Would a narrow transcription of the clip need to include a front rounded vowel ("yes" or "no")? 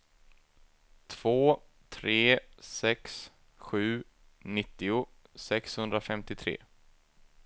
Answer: no